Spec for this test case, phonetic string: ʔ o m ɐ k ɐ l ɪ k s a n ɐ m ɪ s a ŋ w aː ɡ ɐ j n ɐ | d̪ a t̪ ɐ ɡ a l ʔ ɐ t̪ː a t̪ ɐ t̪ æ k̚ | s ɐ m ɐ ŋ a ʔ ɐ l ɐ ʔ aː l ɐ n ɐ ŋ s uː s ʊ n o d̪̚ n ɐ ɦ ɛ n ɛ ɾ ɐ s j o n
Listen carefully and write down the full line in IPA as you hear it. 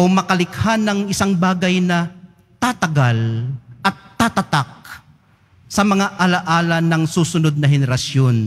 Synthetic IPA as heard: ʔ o m ɐ k ɐ l ɪ k h a n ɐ ŋ ɪ s a ŋ b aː ɡ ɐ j n ɐ | t̪ a t̪ ɐ ɡ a l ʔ ɐ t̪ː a t̪ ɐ t̪ a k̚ | s ɐ m ɐ ŋ a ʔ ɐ l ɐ ʔ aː l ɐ n ɐ ŋ s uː s ʊ n o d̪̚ n ɐ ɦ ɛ n ɛ ɾ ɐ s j o n